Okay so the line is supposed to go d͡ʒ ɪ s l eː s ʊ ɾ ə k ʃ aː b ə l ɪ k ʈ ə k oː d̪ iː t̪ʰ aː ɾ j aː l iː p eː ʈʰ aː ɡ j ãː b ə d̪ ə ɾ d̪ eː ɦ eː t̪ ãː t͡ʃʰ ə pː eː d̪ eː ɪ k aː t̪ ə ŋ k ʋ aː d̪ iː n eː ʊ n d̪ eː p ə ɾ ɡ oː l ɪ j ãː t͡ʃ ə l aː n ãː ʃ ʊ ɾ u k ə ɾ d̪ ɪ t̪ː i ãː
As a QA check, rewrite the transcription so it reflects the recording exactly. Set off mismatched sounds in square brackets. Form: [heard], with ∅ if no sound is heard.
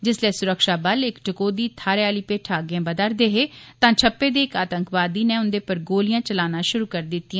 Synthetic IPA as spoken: d͡ʒ ɪ s l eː s ʊ ɾ ə k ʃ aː b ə l ɪ k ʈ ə k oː d̪ iː t̪ʰ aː ɾ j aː l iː p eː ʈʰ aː ɡ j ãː b ə d̪ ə ɾ d̪ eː ɦ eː t̪ ãː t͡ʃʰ ə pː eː d̪ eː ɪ k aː t̪ ə ŋ k ʋ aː d̪ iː n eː ʊ n d̪ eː p ə ɾ ɡ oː l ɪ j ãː t͡ʃ ə l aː n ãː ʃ ʊ ɾ [uː] k ə ɾ d̪ ɪ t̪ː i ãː